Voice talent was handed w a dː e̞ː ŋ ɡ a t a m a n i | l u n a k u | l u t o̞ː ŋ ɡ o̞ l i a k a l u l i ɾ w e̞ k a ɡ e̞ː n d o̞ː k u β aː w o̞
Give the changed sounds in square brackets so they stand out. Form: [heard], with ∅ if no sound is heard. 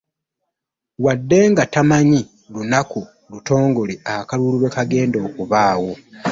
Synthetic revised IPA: w a dː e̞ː ŋ ɡ a t a m a [ɲ] i | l u n a k u | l u t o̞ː ŋ ɡ o̞ l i a k a l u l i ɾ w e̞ k a ɡ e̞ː n d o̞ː k u β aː w o̞